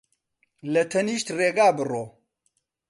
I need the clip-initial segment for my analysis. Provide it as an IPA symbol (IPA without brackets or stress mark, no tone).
l